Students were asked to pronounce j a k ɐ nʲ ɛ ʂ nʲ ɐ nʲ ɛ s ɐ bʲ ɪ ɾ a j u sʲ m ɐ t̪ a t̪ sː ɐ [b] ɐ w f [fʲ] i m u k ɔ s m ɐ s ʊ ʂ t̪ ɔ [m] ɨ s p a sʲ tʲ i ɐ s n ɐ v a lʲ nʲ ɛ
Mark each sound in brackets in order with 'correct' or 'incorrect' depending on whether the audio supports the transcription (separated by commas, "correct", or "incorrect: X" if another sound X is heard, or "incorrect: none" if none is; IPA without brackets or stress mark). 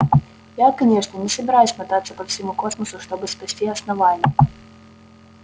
incorrect: p, incorrect: sʲ, incorrect: b